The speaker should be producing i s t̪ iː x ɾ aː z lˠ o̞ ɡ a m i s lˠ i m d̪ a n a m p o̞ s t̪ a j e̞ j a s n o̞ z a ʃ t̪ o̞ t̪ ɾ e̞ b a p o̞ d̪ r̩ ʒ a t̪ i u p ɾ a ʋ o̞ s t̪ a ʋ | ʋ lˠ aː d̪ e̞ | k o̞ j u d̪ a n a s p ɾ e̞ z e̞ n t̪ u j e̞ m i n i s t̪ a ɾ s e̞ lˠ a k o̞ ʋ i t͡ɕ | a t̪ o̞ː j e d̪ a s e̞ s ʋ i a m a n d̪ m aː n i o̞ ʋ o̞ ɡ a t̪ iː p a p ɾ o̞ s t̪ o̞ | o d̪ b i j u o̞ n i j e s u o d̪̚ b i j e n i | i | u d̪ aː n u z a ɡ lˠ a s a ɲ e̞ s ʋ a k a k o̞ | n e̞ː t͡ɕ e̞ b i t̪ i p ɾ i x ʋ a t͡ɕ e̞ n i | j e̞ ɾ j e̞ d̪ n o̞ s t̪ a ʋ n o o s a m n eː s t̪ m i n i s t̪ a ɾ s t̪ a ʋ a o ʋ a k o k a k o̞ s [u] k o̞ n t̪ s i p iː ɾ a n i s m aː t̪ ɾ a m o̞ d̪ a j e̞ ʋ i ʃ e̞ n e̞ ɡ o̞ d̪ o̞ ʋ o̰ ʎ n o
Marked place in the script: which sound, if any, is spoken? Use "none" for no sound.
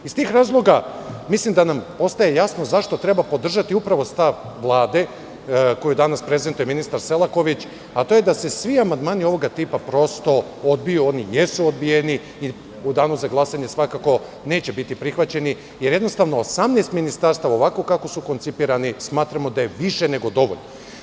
u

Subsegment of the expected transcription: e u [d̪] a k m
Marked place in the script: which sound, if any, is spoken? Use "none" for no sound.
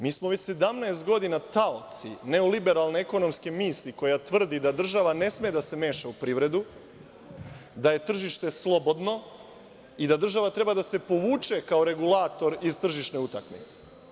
t̪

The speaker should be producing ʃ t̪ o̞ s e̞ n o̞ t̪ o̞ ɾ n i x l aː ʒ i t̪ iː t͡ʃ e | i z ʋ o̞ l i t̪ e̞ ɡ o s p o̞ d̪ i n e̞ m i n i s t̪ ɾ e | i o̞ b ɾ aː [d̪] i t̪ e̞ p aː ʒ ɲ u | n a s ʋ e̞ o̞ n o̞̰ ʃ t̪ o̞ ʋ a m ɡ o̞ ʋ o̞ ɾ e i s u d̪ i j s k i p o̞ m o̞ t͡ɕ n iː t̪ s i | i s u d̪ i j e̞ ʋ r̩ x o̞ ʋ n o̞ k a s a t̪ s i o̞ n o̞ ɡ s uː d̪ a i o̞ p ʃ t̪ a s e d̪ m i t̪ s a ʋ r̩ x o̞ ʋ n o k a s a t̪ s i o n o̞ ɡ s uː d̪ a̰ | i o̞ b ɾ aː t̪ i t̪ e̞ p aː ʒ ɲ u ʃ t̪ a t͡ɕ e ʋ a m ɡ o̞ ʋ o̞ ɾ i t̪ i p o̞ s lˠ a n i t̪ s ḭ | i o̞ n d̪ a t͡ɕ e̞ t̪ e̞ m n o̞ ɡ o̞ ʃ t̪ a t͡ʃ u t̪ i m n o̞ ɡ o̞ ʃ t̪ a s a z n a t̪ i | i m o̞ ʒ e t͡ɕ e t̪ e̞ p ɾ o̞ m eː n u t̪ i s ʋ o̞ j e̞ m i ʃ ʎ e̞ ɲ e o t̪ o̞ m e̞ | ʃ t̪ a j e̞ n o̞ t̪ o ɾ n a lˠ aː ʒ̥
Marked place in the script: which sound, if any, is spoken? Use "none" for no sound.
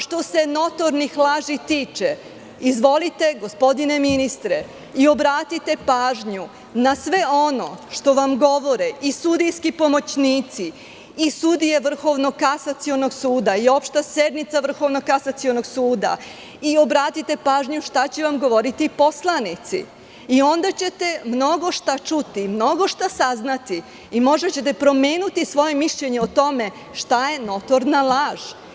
t̪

